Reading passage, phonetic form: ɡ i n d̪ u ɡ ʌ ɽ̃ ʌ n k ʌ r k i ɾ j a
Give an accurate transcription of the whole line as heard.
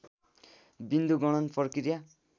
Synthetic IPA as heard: b i n d̪ u ɡ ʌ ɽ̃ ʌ n p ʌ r k i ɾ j a